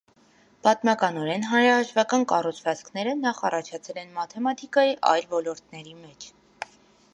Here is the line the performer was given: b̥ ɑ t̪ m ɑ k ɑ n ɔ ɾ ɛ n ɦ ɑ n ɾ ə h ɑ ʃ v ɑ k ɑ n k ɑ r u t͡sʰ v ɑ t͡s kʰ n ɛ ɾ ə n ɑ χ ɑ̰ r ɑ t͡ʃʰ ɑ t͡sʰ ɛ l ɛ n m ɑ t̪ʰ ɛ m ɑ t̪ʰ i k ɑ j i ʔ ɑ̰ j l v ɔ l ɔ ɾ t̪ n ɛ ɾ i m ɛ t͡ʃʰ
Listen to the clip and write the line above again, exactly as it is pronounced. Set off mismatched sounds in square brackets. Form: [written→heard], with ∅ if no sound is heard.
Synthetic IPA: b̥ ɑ t̪ m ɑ k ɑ n ɔ ɾ ɛ n ɦ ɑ n ɾ [ə→ɑ] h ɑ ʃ v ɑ k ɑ n k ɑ r u t͡sʰ v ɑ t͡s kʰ n ɛ ɾ ə n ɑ χ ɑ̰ r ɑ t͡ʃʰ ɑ t͡sʰ ɛ l ɛ n m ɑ t̪ʰ ɛ m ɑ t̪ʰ i k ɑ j i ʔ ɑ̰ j l v ɔ l ɔ ɾ t̪ n ɛ ɾ i m ɛ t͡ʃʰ